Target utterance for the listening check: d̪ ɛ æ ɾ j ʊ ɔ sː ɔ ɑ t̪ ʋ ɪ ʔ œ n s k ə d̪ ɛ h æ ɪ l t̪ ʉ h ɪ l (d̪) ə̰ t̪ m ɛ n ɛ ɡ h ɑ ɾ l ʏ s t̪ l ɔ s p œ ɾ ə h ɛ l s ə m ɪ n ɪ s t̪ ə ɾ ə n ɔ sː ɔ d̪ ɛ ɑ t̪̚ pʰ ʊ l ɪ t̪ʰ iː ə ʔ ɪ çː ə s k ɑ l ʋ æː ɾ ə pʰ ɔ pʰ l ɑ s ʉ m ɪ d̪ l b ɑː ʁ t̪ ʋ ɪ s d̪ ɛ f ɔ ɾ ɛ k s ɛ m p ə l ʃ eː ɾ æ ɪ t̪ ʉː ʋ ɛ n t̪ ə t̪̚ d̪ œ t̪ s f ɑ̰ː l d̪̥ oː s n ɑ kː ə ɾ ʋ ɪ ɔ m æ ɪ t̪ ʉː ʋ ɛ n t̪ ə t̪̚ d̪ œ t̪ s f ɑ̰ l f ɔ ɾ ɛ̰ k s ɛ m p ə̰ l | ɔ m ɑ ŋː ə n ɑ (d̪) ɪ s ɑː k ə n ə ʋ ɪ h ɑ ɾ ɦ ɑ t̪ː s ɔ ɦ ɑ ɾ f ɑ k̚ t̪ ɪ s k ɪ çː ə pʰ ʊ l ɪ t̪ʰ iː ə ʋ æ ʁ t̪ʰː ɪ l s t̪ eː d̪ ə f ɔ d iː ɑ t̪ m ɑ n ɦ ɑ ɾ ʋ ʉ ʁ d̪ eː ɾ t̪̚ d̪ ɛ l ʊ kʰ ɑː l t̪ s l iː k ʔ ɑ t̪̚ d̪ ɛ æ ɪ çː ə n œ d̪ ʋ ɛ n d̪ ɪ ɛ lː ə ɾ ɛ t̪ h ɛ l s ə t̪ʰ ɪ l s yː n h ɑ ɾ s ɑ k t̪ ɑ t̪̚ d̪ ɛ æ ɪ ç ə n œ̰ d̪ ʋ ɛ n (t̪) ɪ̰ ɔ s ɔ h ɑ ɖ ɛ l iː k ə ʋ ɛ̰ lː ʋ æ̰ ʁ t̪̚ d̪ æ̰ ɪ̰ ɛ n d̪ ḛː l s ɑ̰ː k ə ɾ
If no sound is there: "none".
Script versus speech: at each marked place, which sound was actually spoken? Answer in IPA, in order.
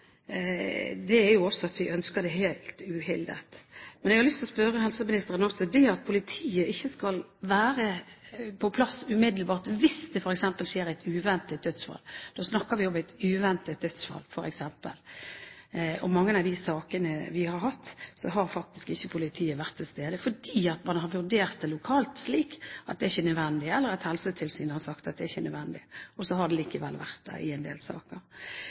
d̪, d̪, d̪

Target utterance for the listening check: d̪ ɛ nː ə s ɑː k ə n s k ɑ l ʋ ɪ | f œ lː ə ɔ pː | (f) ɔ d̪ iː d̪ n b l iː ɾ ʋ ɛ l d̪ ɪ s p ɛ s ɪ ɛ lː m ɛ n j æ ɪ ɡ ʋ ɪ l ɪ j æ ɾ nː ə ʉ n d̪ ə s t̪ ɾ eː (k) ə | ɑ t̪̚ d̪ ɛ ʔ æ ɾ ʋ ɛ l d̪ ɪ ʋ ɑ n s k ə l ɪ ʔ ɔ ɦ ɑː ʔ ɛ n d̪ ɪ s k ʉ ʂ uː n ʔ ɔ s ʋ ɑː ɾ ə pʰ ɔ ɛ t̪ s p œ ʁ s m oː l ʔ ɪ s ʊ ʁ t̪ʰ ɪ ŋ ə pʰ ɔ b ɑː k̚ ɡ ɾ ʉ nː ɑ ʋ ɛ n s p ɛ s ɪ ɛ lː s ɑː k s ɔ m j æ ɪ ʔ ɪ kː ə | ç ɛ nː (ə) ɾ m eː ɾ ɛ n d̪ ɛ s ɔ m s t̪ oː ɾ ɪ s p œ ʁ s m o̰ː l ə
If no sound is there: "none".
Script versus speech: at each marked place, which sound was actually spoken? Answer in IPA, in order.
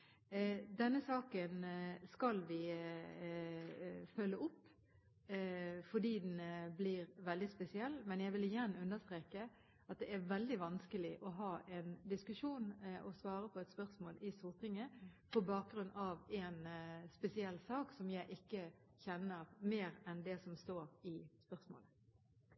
f, k, ə

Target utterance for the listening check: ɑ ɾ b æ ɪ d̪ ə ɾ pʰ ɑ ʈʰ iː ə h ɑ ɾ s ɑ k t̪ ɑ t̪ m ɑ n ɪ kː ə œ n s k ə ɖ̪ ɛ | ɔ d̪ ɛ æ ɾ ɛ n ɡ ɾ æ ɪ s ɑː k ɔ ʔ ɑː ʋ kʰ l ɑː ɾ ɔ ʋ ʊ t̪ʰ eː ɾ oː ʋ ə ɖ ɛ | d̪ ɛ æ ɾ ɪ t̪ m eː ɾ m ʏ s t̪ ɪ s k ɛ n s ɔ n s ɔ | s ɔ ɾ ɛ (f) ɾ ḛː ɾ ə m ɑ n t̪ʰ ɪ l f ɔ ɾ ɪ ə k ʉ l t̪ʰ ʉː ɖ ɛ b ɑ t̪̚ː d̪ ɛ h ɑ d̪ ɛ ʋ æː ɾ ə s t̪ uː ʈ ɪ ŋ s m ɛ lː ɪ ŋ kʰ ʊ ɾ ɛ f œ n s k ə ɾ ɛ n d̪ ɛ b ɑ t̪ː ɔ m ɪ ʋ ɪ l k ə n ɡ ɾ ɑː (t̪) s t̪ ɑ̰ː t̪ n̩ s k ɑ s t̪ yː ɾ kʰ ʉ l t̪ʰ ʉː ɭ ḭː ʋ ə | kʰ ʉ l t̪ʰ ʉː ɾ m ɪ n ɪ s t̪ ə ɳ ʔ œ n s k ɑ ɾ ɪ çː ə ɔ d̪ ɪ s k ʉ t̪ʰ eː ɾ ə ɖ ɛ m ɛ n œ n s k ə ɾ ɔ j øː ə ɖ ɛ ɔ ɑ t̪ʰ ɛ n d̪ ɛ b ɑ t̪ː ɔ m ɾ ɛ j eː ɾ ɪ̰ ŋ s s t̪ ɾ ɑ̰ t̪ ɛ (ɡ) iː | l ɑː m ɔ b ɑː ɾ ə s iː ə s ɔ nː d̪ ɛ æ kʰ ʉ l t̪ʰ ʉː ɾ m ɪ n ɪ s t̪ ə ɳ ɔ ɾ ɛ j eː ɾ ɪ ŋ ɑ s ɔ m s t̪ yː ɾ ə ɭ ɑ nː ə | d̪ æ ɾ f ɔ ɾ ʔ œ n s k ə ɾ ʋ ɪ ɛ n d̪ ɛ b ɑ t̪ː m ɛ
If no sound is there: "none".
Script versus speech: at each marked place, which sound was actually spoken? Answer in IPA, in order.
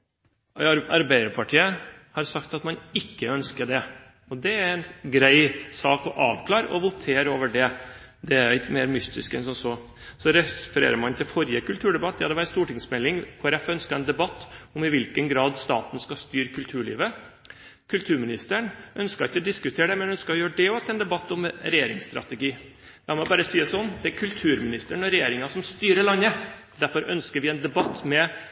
f, d̪, ɡ

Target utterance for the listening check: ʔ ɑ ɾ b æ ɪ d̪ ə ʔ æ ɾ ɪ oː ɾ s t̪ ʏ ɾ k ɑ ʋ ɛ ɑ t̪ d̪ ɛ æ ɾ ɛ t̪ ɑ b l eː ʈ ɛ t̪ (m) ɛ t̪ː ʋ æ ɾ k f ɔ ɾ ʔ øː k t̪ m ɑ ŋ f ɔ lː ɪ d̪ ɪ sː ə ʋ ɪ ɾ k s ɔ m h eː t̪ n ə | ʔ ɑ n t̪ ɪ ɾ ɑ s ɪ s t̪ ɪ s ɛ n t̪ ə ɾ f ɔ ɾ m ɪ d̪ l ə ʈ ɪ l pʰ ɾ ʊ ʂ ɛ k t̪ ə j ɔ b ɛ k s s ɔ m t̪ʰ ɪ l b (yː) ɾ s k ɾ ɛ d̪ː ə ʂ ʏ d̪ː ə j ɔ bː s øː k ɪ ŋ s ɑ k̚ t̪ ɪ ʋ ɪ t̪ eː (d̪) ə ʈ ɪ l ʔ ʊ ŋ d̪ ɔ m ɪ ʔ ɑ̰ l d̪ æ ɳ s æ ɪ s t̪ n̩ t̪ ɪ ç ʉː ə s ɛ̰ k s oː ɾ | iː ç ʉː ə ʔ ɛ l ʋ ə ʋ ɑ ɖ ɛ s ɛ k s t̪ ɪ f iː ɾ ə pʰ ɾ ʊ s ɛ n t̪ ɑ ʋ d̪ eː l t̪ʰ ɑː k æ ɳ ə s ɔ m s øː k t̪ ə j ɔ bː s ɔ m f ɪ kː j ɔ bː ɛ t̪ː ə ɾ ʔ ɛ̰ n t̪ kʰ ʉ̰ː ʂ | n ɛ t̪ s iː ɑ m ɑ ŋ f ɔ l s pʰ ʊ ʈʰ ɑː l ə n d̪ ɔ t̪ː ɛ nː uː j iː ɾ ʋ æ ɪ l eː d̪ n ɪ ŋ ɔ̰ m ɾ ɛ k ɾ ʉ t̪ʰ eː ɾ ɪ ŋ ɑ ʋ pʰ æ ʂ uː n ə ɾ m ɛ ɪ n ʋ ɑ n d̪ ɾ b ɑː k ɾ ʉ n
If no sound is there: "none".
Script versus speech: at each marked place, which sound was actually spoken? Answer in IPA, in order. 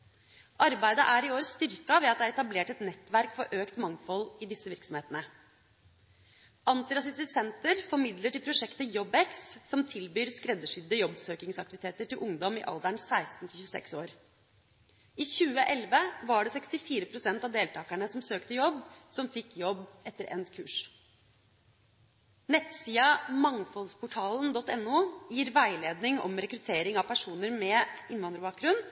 n, yː, t̪

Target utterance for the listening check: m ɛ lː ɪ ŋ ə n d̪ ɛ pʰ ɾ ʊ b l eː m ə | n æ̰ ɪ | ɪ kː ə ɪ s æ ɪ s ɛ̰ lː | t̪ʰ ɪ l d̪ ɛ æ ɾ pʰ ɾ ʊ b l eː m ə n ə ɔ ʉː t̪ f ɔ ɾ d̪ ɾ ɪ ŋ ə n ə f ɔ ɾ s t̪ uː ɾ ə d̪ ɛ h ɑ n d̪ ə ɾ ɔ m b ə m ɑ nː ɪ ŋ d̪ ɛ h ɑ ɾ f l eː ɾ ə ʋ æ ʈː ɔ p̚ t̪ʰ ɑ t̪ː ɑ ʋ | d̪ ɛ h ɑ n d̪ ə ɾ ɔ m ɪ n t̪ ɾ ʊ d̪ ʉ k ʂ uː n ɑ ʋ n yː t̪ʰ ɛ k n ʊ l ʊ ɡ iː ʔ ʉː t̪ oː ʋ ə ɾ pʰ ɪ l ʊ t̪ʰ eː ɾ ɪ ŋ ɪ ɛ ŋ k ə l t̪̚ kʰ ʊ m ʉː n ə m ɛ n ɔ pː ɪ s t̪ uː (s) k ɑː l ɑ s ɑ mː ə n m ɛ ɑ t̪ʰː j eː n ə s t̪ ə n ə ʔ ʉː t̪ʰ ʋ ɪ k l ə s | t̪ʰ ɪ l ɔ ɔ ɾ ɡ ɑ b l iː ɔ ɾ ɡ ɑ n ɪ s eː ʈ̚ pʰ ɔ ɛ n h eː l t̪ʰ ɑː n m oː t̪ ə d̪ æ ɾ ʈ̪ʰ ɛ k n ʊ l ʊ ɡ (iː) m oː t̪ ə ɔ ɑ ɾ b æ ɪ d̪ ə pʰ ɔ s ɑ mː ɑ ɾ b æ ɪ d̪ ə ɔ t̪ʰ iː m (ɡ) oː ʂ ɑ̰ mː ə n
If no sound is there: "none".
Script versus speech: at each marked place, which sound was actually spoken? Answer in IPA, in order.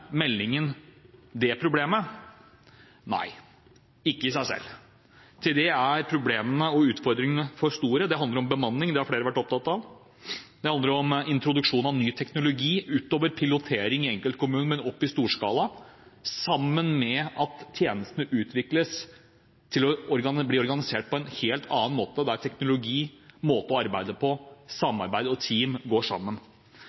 ʂ, iː, ɡ

